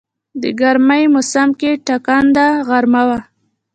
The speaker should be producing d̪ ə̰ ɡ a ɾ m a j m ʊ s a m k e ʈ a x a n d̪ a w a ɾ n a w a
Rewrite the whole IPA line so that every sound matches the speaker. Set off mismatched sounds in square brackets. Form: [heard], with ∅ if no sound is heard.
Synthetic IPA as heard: d̪ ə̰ ɡ a ɾ m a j m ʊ s a m k e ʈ a [k] a n d̪ a [ɣ] a ɾ [m] a w a